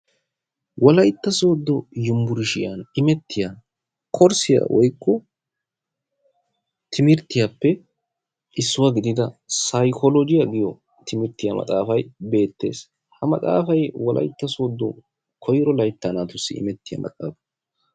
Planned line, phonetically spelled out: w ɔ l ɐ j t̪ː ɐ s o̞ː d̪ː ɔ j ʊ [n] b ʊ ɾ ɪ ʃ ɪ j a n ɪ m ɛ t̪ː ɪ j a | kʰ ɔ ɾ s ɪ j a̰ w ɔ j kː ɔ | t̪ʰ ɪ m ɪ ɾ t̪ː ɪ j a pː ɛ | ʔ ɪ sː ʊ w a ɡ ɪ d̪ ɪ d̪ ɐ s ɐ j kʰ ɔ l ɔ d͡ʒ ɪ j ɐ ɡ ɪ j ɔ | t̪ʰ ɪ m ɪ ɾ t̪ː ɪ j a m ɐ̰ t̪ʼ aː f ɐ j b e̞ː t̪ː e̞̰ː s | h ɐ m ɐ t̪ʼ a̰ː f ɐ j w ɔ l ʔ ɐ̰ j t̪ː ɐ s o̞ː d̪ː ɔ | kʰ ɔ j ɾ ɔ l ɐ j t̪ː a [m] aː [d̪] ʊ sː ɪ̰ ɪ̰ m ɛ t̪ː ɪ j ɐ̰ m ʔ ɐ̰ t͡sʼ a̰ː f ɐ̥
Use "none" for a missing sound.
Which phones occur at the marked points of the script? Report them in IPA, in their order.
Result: m, n, t̪

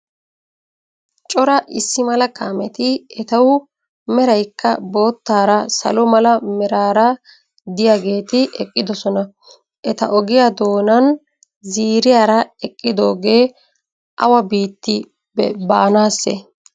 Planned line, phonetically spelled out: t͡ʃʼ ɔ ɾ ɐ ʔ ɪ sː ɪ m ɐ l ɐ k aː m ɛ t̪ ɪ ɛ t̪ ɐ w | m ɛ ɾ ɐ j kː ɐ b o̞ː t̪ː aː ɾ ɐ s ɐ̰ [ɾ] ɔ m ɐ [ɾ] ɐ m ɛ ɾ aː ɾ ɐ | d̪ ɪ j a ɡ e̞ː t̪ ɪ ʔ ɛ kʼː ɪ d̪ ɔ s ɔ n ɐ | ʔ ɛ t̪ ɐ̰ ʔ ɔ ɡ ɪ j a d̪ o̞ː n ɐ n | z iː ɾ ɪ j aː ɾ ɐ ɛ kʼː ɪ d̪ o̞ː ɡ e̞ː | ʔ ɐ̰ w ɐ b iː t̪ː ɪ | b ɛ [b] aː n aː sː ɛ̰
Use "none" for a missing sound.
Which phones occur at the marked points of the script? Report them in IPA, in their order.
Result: l, l, b

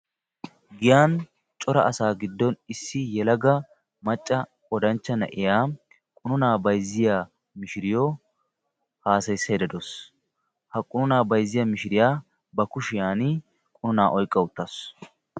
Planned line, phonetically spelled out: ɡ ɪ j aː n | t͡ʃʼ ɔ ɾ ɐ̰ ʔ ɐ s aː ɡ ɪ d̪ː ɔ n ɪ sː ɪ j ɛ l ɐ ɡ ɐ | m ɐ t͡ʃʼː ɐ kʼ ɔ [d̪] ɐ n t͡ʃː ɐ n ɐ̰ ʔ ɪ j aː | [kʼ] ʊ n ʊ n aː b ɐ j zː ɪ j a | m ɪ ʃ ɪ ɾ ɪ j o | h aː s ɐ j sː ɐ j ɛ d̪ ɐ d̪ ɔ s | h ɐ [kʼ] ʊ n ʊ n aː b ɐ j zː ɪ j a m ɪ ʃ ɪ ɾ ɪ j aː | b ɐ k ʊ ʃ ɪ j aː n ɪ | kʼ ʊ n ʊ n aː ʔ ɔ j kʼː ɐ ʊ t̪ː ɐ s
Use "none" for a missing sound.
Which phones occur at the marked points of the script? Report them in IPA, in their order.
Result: d̪, kʼ, kʼ

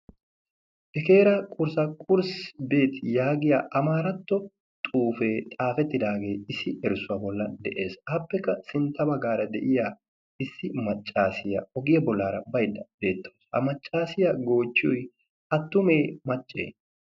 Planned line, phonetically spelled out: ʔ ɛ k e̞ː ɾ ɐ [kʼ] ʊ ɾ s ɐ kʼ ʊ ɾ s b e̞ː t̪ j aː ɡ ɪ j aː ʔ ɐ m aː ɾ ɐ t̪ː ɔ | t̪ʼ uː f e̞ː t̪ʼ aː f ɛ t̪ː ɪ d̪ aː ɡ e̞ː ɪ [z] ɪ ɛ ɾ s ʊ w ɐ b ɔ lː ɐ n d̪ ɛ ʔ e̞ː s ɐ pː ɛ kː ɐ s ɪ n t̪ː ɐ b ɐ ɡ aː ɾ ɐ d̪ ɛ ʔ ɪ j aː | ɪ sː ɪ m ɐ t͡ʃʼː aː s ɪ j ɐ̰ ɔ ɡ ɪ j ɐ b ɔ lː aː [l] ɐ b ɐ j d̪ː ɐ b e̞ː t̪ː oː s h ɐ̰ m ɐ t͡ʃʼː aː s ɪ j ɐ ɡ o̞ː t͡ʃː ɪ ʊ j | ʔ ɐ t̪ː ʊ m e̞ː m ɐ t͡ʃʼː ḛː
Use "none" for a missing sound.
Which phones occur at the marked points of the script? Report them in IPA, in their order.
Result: kʼ, s, ɾ

